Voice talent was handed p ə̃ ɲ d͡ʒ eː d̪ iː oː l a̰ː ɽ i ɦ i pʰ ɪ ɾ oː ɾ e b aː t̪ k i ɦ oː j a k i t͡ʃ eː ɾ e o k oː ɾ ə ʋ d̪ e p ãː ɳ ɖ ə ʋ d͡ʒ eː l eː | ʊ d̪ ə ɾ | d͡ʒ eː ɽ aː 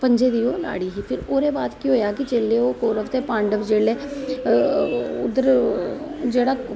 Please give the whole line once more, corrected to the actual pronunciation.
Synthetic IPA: p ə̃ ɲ d͡ʒ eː d̪ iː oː l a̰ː ɽ i ɦ i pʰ ɪ ɾ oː ɾ e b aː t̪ k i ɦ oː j a k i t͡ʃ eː l e o k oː ɾ ə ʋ t̪ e p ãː ɳ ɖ ə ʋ d͡ʒ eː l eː | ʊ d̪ ə ɾ | d͡ʒ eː ɽ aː